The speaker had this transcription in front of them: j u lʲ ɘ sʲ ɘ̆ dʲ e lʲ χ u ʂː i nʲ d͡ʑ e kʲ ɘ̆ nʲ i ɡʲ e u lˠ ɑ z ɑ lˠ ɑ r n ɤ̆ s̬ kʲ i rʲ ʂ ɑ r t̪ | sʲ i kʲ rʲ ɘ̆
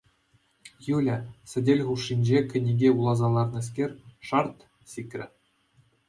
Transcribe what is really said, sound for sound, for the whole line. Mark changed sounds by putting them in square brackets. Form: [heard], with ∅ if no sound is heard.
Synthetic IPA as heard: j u lʲ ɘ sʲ ɘ̆ dʲ e lʲ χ u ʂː i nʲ d͡ʑ e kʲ ɘ̆ nʲ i ɡʲ e u lˠ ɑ z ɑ lˠ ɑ r n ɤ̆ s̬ kʲ [e] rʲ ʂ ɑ r t̪ | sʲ i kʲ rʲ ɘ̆